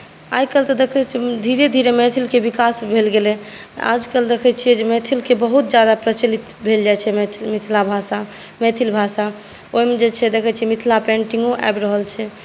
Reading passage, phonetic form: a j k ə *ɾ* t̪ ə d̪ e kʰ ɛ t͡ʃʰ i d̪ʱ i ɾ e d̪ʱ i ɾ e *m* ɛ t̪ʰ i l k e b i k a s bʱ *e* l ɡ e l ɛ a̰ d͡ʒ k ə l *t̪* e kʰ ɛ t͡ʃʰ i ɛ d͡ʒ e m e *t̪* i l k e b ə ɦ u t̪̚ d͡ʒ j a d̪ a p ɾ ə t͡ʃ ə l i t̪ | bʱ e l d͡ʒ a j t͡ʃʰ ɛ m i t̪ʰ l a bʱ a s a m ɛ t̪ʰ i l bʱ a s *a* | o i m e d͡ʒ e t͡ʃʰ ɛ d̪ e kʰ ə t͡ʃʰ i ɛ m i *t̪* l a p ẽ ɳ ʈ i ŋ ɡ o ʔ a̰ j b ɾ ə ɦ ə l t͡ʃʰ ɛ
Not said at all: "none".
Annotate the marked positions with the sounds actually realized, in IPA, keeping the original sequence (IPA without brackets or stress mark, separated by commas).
l, m, e, d̪, t̪ʰ, a, t̪ʰ